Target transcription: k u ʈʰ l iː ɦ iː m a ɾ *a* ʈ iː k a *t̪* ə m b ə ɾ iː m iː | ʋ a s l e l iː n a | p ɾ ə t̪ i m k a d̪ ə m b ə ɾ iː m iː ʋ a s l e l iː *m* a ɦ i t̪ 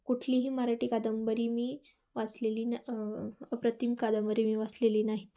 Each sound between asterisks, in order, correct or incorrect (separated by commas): correct, incorrect, incorrect